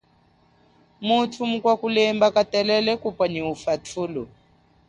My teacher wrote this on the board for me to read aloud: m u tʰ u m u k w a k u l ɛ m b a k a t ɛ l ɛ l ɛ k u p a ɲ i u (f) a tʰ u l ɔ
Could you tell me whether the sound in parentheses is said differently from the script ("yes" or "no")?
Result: no